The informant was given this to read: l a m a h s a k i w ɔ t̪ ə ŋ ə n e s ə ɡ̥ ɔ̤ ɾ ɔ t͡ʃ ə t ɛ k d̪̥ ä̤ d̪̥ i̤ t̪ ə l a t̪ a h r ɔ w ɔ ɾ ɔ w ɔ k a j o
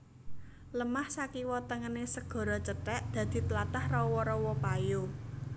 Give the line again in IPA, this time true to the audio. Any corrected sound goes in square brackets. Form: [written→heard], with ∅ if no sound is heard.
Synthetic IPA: l [a→ə] m a h s a k i w ɔ t̪ ə ŋ ə n e s ə ɡ̥ ɔ̤ ɾ ɔ t͡ʃ ə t ɛ [k→ʔ] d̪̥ ä̤ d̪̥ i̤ t̪ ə l a t̪ a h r ɔ w ɔ ɾ ɔ w ɔ [k→p] a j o